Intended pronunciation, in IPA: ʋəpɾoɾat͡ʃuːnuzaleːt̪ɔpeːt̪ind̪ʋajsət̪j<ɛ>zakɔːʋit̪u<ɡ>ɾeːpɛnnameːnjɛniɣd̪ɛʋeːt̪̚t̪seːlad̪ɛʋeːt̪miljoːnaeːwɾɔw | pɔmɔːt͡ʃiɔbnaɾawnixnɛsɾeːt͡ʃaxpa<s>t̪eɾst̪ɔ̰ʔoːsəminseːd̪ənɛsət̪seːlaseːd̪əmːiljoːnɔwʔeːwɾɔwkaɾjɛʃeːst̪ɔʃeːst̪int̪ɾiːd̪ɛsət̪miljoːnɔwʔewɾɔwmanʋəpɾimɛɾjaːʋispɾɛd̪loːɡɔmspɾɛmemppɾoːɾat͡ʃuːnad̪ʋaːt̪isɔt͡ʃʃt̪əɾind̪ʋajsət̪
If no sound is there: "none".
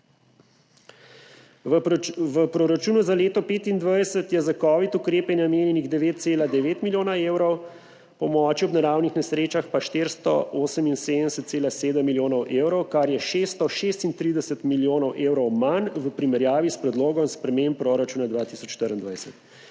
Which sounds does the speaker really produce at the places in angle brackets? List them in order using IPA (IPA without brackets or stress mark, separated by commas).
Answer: ɛ, k, ʃ